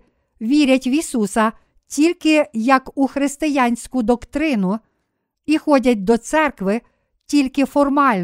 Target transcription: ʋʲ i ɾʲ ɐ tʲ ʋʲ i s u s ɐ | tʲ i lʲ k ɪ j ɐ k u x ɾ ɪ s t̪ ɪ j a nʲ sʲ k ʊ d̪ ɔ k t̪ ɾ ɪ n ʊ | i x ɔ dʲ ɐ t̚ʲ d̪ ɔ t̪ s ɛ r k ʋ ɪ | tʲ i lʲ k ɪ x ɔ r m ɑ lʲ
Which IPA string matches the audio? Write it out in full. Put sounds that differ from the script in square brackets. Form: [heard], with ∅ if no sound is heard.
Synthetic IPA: ʋʲ i ɾʲ ɐ tʲ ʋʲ i s u s ɐ | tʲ i lʲ k ɪ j ɐ k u x ɾ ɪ s t̪ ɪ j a nʲ sʲ k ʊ d̪ ɔ k t̪ ɾ ɪ n ʊ | i x ɔ dʲ ɐ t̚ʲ d̪ ɔ t̪ s ɛ r k ʋ ɪ | tʲ i lʲ k ɪ [f] ɔ r m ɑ lʲ